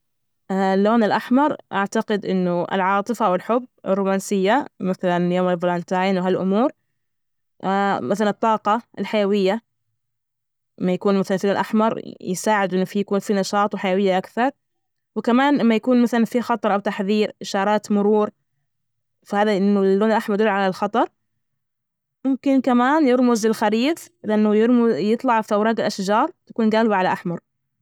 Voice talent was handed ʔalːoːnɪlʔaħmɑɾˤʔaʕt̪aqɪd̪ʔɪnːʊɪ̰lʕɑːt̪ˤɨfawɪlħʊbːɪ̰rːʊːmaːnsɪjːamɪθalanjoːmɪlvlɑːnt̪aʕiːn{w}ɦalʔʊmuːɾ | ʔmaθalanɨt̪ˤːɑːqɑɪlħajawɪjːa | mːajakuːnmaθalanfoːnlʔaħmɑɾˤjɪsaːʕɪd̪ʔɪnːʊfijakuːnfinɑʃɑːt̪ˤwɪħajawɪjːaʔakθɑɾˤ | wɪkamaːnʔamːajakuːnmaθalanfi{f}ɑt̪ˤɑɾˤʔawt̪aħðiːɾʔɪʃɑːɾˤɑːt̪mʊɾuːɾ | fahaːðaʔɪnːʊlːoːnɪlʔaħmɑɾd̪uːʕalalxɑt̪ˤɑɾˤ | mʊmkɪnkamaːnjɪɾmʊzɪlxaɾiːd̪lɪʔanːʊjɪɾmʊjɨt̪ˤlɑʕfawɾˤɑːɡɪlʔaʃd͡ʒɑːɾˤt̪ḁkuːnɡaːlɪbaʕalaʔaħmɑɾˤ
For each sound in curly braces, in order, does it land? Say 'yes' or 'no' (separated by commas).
yes, no